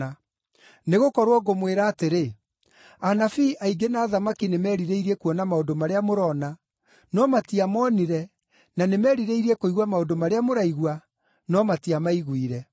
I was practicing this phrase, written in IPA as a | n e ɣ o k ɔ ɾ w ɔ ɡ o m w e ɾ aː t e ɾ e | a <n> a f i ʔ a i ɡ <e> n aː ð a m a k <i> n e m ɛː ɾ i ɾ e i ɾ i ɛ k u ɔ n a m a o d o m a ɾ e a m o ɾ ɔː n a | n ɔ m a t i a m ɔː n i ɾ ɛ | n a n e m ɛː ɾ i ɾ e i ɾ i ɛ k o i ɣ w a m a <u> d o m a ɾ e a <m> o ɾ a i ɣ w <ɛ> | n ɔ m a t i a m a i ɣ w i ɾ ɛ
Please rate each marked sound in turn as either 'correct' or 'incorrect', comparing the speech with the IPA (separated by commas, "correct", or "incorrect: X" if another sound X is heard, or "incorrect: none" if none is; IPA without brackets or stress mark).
correct, correct, correct, incorrect: o, correct, incorrect: a